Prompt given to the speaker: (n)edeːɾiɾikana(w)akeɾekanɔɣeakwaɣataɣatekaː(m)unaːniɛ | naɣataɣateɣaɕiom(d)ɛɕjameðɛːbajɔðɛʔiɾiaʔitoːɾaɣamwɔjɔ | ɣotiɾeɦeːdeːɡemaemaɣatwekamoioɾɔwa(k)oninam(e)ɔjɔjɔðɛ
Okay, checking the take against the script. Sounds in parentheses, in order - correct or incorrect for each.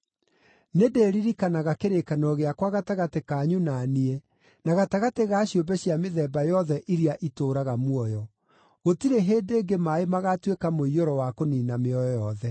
correct, incorrect, incorrect, incorrect, correct, correct

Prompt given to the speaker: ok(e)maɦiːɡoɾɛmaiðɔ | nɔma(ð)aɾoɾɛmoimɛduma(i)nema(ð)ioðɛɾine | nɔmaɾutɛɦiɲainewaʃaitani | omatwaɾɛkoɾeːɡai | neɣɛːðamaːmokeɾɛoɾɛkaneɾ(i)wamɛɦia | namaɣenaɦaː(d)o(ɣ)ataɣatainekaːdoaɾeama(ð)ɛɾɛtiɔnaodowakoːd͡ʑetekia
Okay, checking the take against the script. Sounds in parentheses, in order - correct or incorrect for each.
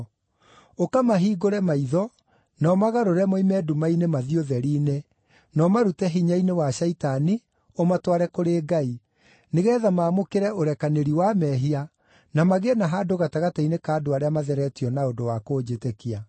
incorrect, incorrect, correct, correct, correct, correct, correct, correct

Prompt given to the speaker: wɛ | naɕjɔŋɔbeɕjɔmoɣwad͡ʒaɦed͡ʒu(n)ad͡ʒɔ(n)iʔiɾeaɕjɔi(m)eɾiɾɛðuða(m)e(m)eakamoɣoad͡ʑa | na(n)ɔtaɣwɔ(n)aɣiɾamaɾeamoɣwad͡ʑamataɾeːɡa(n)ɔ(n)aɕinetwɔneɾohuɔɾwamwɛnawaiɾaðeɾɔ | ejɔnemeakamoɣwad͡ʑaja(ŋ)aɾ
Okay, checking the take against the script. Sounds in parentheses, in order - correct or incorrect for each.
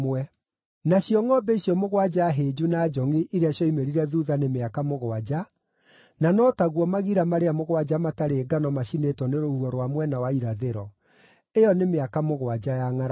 correct, incorrect, correct, incorrect, correct, correct, incorrect, correct, incorrect, correct

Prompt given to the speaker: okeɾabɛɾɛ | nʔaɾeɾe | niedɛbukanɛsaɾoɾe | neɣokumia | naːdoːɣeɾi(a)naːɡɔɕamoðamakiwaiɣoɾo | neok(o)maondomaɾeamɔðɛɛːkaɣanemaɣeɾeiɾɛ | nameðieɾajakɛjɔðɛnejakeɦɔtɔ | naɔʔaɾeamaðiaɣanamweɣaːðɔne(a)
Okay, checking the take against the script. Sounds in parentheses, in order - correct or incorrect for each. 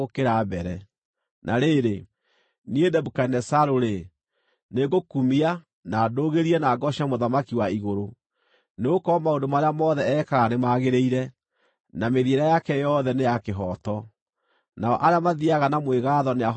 incorrect, incorrect, correct

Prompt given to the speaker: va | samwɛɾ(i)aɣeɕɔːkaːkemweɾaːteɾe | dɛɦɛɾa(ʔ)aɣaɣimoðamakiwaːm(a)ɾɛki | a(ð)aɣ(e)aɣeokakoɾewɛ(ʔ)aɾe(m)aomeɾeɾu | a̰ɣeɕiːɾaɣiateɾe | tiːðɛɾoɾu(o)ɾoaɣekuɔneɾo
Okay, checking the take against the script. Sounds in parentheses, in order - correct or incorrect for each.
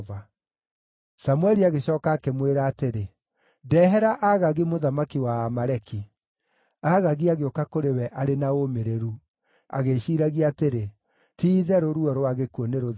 correct, correct, correct, incorrect, incorrect, correct, incorrect, incorrect

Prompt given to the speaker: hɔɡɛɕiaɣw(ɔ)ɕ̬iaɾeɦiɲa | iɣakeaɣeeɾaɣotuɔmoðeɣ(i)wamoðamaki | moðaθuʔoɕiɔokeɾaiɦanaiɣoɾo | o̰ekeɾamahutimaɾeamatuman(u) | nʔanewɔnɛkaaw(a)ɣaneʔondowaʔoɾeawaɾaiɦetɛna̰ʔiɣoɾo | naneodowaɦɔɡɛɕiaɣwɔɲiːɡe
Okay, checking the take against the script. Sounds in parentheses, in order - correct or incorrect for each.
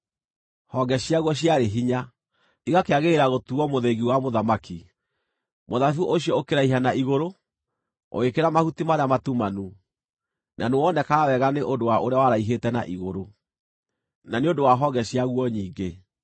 correct, correct, correct, incorrect

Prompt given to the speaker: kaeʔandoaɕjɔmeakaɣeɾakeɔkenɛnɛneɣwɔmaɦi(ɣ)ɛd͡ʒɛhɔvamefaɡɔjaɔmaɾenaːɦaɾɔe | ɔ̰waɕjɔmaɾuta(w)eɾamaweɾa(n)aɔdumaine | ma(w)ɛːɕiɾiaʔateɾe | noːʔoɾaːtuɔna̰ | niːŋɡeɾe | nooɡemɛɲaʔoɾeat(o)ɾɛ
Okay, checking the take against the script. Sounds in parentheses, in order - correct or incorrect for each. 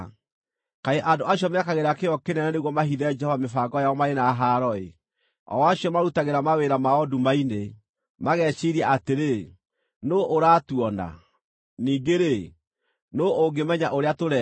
incorrect, incorrect, incorrect, incorrect, correct

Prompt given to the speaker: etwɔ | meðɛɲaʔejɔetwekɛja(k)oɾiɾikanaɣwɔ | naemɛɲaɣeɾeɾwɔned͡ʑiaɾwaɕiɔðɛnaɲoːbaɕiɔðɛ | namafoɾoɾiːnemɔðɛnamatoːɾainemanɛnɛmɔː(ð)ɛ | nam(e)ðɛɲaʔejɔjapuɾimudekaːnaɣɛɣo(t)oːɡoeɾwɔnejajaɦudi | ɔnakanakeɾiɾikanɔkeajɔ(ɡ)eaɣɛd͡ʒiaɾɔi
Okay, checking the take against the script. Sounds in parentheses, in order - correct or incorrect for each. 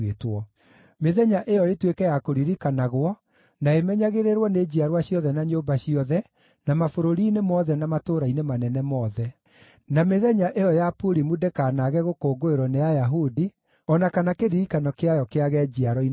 correct, correct, correct, incorrect, incorrect

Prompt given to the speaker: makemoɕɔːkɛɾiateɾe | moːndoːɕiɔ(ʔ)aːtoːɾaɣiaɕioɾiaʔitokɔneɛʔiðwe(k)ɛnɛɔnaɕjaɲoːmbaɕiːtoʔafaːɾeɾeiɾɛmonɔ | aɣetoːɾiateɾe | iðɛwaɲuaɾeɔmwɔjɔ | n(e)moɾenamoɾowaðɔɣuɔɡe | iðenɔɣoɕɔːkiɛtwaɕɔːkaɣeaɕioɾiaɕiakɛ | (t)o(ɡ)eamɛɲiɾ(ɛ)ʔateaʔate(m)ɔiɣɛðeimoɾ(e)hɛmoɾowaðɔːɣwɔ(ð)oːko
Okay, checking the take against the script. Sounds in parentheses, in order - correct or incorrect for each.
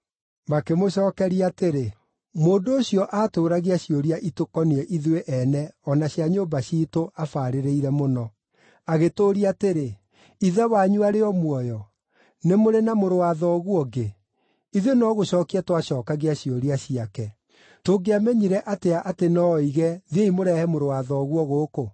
correct, incorrect, correct, correct, correct, correct, incorrect, incorrect, incorrect

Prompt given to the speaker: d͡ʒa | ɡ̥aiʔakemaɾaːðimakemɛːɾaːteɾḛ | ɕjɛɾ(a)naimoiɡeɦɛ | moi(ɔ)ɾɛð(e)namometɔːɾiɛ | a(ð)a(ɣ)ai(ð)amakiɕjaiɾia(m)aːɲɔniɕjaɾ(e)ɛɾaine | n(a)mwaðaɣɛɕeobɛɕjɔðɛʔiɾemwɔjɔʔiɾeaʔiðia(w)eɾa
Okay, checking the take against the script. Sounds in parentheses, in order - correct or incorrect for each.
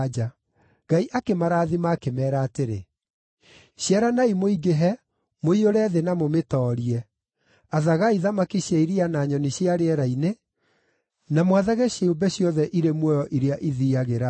correct, incorrect, correct, correct, correct, correct, incorrect, correct, correct, incorrect

